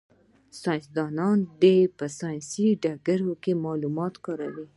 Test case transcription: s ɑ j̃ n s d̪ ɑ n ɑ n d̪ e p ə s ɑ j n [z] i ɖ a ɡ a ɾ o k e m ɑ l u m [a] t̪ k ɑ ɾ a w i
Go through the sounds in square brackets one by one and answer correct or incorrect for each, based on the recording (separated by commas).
incorrect, incorrect